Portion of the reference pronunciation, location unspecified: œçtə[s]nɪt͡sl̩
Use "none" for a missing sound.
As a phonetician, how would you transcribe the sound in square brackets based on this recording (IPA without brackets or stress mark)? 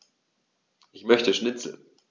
ʃ